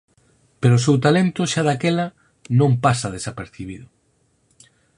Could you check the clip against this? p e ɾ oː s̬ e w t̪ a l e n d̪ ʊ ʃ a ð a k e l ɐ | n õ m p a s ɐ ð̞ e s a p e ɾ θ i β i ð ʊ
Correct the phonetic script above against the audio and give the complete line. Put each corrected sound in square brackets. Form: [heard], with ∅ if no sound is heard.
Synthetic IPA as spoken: p e ɾ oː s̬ e w t̪ a l e n [t̪] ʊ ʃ a ð a k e l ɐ | n õ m p a s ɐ ð̞ e s a p e ɾ θ i β i ð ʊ